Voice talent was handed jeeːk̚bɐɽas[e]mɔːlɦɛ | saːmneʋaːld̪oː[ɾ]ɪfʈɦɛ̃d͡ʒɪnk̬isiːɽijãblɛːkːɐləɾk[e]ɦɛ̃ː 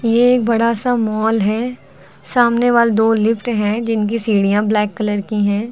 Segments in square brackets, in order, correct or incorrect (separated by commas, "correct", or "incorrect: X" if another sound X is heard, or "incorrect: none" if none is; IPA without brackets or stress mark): incorrect: a, incorrect: l, incorrect: i